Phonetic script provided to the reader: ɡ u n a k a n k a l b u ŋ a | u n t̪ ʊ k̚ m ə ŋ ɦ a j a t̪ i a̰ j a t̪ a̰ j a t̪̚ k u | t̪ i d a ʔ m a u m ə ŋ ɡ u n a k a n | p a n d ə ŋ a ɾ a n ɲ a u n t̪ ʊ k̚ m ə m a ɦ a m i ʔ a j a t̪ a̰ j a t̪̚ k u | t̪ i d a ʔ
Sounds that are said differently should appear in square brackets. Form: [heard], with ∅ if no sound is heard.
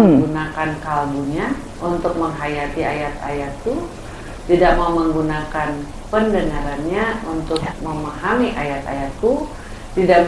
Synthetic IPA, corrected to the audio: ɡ u n a k a n k a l b u [ɲ] a | u n t̪ ʊ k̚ m ə ŋ ɦ a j a t̪ i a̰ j a t̪ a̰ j a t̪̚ k u | t̪ i d a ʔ m a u m ə ŋ ɡ u n a k a n | p [ə] n d ə ŋ a ɾ a n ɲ a u n t̪ ʊ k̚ m ə m a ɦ a m i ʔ a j a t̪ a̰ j a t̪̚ k u | t̪ i d a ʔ